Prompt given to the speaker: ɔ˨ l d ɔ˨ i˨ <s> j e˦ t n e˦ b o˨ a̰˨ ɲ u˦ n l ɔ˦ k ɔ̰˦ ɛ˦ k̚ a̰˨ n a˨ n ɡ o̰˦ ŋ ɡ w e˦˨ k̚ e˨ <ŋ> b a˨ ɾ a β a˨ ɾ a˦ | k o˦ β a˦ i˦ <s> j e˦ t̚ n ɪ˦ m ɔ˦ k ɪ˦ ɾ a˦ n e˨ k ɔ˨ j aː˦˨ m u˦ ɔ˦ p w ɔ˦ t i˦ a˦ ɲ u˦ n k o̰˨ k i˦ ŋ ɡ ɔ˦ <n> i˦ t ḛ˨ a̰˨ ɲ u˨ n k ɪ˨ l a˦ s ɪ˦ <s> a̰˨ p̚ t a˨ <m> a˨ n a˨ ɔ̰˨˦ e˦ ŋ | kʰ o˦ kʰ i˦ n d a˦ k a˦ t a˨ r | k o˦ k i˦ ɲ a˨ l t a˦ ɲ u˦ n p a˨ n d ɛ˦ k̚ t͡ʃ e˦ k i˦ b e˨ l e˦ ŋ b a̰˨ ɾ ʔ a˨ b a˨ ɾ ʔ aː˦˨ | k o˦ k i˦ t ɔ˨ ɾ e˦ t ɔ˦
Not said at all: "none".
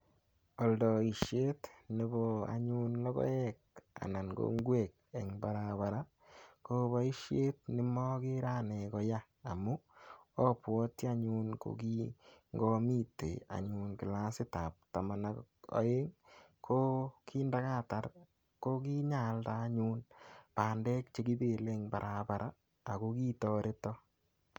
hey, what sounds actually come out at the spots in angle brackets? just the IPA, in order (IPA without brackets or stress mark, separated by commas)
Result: ʃ, ŋ, ʃ, m, t, m